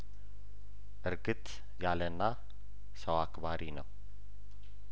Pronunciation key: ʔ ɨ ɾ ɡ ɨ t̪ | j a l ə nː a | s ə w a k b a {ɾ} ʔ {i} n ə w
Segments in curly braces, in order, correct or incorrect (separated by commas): correct, correct